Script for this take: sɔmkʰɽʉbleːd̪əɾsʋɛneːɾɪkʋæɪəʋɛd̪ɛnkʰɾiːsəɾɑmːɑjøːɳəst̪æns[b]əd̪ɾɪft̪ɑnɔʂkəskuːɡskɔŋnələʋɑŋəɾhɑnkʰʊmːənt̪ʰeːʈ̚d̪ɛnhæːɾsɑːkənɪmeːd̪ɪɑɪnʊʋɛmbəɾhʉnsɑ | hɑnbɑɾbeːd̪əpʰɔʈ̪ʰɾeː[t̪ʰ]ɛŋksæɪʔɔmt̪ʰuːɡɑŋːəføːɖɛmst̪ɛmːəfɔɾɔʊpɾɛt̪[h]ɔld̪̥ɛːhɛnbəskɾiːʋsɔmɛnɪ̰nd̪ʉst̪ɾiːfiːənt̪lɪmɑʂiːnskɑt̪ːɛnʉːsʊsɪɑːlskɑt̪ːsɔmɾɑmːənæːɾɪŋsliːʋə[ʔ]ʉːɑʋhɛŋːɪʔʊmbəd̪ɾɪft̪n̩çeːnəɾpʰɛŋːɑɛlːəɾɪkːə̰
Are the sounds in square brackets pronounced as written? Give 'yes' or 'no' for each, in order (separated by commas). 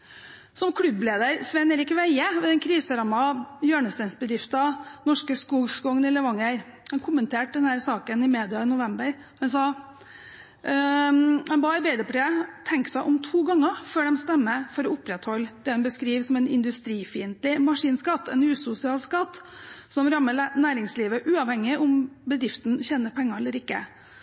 yes, yes, yes, yes